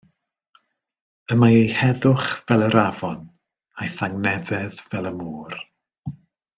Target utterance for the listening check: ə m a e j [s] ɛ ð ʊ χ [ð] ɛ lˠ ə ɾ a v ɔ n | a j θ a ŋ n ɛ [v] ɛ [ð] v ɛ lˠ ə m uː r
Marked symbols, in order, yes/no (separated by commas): no, no, yes, yes